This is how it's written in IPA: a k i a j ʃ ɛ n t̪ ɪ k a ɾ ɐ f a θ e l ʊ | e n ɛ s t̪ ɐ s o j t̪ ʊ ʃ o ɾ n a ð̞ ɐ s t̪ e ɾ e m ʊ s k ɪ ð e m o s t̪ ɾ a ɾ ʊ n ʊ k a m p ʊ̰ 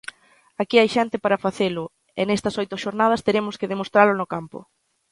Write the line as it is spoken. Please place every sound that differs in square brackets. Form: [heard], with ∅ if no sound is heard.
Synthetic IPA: a k i a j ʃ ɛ n t̪ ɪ [p] a ɾ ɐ f a θ e l ʊ | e n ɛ s t̪ ɐ s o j t̪ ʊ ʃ o ɾ n a ð̞ ɐ s t̪ e ɾ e m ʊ s k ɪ ð e m o s t̪ ɾ a [l] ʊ n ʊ k a m p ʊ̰